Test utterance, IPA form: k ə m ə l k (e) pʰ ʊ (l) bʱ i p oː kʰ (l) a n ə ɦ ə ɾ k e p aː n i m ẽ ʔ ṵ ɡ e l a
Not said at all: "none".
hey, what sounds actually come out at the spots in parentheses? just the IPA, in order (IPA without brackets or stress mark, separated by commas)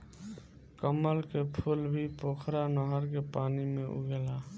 e, l, ɾ